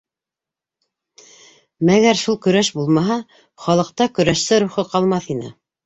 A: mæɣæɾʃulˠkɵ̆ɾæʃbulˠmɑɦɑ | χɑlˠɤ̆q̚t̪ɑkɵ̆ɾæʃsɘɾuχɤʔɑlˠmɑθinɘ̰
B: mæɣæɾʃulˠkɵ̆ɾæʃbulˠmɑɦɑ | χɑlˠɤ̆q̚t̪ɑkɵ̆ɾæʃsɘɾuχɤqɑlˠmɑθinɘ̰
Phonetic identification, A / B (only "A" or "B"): B